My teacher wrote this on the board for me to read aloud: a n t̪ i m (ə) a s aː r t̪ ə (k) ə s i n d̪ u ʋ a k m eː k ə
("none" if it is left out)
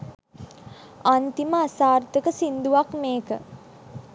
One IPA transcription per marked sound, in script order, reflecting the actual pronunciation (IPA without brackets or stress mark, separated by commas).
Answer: ə, k